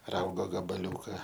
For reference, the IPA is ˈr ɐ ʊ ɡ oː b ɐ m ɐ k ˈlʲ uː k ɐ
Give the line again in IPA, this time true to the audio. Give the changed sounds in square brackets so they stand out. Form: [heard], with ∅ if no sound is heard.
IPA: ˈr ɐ ʊ ɡ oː [ɡ] ɐ [b] ɐ [∅] ˈlʲ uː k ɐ